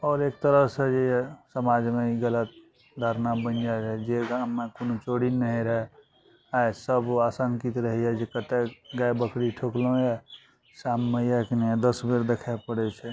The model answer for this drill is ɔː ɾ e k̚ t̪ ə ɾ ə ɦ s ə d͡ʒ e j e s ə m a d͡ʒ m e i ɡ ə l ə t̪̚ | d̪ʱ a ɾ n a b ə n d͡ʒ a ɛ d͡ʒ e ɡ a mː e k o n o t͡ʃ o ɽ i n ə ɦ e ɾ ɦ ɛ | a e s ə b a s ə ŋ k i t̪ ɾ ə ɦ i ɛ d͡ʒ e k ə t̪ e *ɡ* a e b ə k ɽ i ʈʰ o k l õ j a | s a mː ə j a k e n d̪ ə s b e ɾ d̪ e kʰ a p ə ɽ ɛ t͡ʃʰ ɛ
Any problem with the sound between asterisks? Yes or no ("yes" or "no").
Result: no